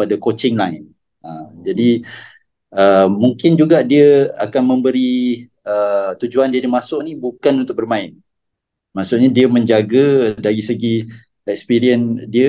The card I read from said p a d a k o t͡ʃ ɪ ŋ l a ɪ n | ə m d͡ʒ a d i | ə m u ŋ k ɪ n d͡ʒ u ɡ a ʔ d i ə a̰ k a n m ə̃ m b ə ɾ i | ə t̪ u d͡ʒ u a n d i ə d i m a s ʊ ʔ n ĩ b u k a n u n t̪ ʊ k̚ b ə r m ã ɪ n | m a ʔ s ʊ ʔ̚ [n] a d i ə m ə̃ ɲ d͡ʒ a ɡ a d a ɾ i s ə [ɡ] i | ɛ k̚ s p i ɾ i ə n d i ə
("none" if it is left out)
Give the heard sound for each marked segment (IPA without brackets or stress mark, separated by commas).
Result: ɲ, ɡ